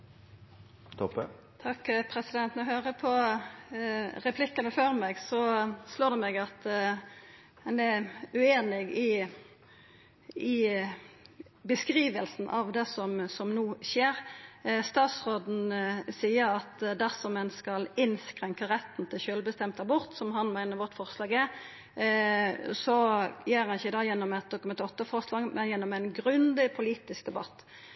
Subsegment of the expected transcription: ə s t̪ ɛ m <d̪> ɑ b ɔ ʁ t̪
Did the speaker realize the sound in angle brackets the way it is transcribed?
no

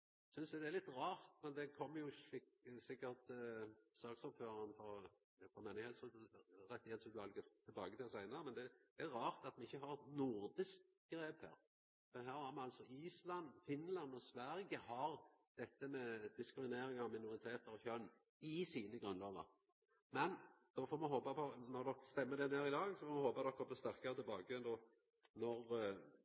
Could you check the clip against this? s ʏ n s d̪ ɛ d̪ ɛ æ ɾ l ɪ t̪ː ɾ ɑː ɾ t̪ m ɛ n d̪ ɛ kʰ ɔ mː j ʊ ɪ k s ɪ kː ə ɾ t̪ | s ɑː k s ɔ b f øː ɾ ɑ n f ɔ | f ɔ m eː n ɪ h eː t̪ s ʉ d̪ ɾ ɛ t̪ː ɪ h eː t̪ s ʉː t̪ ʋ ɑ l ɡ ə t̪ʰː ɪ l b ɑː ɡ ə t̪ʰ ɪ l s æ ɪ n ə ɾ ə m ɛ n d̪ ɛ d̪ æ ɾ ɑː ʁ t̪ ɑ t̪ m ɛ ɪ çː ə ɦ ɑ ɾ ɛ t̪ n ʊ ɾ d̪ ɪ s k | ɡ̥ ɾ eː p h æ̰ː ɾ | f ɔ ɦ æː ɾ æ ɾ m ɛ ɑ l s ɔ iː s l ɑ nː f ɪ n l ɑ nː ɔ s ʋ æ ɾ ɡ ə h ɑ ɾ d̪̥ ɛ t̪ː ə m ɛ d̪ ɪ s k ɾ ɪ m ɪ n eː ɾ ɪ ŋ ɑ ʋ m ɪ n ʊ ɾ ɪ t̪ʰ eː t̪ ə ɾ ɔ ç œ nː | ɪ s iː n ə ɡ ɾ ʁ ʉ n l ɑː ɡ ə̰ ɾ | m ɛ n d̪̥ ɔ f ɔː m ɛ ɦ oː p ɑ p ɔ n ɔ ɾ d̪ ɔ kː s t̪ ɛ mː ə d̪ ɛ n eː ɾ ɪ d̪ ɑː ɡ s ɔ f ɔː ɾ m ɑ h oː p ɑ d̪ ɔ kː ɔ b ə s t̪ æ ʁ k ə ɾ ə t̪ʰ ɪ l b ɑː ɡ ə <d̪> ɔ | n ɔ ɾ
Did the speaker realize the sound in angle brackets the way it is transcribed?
yes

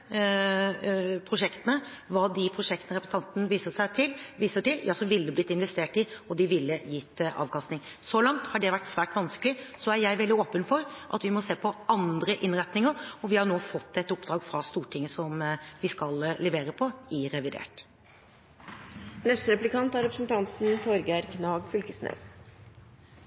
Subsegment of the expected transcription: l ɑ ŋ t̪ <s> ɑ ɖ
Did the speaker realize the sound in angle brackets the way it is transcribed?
no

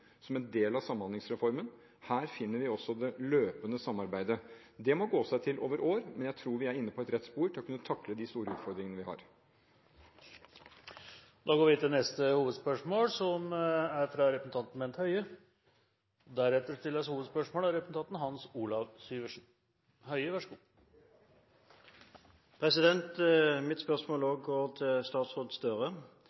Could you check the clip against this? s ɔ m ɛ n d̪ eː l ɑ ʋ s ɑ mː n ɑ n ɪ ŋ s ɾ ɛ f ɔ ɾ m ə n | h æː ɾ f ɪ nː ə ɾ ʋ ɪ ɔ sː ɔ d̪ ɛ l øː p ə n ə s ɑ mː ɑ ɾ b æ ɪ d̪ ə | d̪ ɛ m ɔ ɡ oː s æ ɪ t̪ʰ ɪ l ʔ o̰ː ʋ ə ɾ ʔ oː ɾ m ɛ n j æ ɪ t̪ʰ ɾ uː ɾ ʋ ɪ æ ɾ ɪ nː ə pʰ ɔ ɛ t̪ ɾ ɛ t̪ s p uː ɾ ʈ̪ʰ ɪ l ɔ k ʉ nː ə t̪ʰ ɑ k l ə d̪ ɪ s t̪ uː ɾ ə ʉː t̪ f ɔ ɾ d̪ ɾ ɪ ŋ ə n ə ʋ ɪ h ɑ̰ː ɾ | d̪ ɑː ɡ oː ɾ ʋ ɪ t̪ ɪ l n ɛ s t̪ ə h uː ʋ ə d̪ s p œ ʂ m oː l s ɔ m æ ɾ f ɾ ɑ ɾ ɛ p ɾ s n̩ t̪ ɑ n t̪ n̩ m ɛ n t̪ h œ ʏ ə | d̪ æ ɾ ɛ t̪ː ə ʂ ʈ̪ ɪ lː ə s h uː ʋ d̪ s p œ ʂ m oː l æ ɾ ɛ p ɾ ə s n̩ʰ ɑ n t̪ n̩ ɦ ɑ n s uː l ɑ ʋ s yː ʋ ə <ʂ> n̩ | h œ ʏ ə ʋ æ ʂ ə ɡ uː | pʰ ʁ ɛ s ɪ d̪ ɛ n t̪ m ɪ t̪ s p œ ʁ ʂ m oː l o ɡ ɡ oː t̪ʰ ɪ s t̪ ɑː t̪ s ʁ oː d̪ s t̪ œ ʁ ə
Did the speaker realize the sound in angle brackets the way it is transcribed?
yes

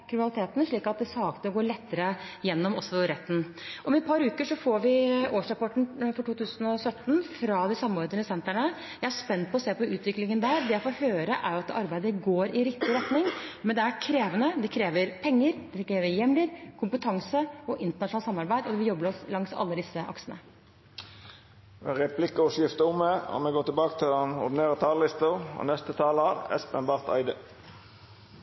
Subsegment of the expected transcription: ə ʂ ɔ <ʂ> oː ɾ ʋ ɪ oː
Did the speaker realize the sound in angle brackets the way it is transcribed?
no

